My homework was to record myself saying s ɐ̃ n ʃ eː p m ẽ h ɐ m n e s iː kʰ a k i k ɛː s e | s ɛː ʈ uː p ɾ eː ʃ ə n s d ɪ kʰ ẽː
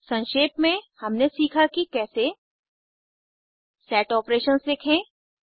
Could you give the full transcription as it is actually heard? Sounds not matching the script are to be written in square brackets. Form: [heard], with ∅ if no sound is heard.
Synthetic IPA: s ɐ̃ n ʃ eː p m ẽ h ɐ m n e s iː kʰ a k i k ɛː s e | s ɛː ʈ [ɔː] p ɾ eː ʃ ə n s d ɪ kʰ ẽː